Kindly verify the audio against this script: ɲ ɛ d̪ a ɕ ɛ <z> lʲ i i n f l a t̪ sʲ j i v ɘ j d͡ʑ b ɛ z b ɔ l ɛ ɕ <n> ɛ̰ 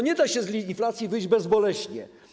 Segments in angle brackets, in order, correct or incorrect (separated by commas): correct, incorrect